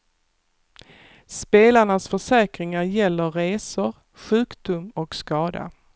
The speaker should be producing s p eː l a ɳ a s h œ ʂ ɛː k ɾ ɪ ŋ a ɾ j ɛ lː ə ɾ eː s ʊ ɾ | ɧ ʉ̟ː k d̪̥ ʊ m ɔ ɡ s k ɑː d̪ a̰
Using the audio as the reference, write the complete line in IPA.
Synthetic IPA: s p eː l a ɳ a s f œ ʂ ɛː k ɾ ɪ ŋ a ɾ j ɛ lː ə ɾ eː s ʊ ɾ | ɧ ʉ̟ː k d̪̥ ʊ m ɔ k s k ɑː d̪ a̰

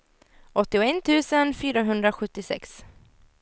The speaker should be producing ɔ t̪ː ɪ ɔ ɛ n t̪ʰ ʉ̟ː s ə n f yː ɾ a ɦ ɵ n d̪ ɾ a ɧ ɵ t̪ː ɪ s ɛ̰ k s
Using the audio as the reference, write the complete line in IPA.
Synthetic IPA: ɔ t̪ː ɪ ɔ ɛ n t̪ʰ ʉ̟ː s ə n f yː ɾ a ɦ ɵ n d̪ ɾ a ɧ ɵ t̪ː ɪ s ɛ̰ k s

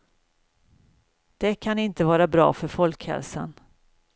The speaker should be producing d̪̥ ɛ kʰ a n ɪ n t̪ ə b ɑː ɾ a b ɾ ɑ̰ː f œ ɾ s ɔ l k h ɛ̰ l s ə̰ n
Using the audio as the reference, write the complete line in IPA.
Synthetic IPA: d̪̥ ɛ kʰ a n ɪ n t̪ ə v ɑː ɾ a b ɾ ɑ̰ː f œ ɾ f ɔ l k h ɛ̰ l s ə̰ n

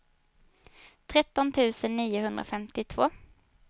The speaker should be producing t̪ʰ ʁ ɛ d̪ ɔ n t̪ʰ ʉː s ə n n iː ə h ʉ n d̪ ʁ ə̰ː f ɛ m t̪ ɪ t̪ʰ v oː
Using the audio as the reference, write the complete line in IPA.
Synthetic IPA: t̪ʰ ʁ ɛ t̪ ɔ n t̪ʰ ʉː s ə n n iː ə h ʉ n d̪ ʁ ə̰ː f ɛ m t̪ ɪ t̪ʰ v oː

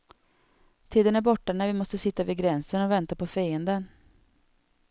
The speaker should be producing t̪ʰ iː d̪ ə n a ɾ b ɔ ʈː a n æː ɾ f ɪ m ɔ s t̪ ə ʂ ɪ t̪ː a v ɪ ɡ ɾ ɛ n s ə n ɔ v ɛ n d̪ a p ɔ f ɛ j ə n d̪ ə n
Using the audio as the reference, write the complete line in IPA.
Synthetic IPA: t̪ʰ iː d̪ ə n æ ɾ b ɔ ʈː a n æ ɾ v ɪ m ɔ s t̪ ə s ɪ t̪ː a v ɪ ɡ ɾ ɛ n s ə n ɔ v ɛ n t̪ a p ɔ f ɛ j ə n d̪ ə n

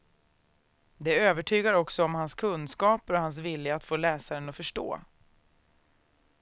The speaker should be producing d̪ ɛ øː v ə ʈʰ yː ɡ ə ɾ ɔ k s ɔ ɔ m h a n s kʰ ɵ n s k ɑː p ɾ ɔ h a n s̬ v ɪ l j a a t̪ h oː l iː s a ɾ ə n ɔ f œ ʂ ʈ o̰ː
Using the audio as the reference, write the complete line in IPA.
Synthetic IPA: d̪ ɛ øː v ə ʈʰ yː ɡ a ɾ ɔ k s ɔ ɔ m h a n s kʰ ɵ n s k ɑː p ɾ ɔ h a n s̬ v ɪ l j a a t̪ f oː l ɛː s a ɾ ə n ɔ f œ ʂ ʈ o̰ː

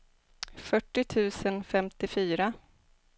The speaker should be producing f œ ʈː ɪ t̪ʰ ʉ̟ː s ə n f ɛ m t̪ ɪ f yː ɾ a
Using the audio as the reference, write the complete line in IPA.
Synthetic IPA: f œ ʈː ɪ t̪ʰ ʉ̟ː s ə n f ɛ m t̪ ɪ f yː ɾ a

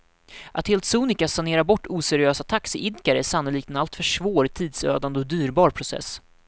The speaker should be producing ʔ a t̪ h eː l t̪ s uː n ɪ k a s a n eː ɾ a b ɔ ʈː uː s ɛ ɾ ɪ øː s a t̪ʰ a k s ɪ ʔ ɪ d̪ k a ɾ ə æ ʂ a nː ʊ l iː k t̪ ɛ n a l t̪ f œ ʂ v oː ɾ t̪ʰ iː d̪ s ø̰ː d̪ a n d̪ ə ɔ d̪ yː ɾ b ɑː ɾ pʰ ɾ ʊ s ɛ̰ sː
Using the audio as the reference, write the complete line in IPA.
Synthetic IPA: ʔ a t̪ h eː l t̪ s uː n ɪ k a s a n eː ɾ a b ɔ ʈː uː s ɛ ɾ ɪ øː s a t̪ʰ a k s ɪ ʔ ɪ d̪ k a ɾ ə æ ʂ a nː ʊ l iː k t̪ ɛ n a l t̪ f œ ʂ v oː ɾ t̪ʰ iː d̪ s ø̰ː d̪ a n d̪ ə ɔ d̪ yː ɾ b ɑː ɾ pʰ ɾ ʊ s ɛ̰ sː

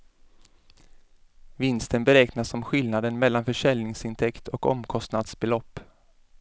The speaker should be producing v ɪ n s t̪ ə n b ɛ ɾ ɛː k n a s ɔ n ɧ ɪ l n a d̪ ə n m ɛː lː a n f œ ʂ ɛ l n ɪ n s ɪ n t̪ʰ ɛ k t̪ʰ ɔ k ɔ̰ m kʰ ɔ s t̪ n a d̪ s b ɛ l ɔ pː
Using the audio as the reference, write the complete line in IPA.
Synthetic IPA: v ɪ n s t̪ ə n b ɛ ɾ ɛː k n a s ɔ m ɧ ɪ l n a d̪ ə n m ɛ lː a n f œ ʂ ɛ l n ɪ ŋ s ɪ n t̪ʰ ɛ k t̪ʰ ɔ k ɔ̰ m kʰ ɔ s t̪ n a d̪ s b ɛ l ɔ pː

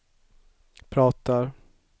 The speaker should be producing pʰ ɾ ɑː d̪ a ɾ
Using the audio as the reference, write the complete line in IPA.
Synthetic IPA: pʰ ɾ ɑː t̪ a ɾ

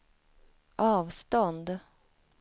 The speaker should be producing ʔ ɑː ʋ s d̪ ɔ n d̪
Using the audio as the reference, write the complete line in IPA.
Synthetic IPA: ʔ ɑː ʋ s t̪ ɔ n d̪

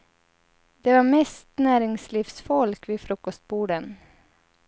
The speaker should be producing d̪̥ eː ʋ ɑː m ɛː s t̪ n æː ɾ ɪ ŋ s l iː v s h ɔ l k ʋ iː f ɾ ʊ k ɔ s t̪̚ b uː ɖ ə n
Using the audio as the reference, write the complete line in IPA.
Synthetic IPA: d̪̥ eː ʋ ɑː m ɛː s t̪ n æː ɾ ɪ ŋ s l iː f s f ɔ l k ʋ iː f ɾ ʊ k ɔ s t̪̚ b uː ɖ ə n

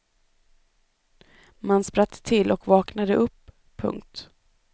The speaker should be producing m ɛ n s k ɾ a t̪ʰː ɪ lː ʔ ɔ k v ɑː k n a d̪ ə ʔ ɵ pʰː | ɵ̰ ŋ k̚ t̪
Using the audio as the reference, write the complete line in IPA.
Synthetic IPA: m a n s p ɾ a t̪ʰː ɪ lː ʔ ɔ k v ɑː k n a d̪ ə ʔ ɵ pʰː | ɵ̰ ŋ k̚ t̪

